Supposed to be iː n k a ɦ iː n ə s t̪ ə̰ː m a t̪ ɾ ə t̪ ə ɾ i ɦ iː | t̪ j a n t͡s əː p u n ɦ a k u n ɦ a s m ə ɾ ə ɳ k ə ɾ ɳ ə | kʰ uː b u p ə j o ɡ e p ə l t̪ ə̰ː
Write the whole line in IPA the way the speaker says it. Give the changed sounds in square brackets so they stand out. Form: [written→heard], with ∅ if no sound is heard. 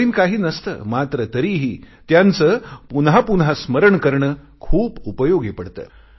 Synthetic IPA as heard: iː n k a ɦ iː n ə s t̪ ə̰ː m a t̪ ɾ ə t̪ ə ɾ i ɦ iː | t̪ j a n t͡s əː p u n ɦ a [k→p] u n ɦ a s m ə ɾ ə ɳ k ə ɾ ɳ ə | kʰ uː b u p ə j o ɡ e p ə [l→ɽ] t̪ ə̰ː